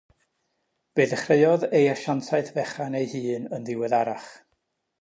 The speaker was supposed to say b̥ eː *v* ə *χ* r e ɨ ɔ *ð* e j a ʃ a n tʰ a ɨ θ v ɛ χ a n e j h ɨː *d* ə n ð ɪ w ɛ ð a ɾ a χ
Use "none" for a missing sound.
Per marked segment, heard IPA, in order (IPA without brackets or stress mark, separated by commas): ð, χ, ð, n